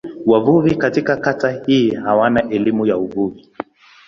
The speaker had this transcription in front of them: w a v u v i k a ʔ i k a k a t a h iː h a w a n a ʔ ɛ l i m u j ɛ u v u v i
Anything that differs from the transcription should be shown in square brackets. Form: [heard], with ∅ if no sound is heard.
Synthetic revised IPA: w a v u v i k a [t] i k a k a t a h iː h a w a n a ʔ ɛ l i m u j [a] u v u v i